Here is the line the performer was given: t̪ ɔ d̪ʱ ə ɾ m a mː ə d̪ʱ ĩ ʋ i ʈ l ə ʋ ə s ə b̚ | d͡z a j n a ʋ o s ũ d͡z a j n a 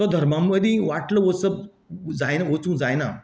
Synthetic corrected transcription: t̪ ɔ d̪ʱ ə ɾ m a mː ə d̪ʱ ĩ ʋ a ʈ l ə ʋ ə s ə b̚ | d͡z a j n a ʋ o t͡s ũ d͡z a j n a